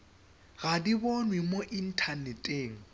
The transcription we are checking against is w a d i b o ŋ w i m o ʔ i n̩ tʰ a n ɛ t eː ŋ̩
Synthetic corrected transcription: ɣ a d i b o n w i m o ʔ i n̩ tʰ a n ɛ tʼ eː ŋ̩

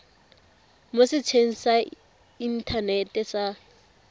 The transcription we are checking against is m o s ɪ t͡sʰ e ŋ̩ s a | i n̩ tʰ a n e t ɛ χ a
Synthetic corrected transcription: m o s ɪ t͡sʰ e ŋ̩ s a | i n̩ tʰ a n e t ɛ s a

